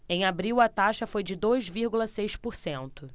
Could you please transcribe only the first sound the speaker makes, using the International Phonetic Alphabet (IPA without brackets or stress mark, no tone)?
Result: ẽ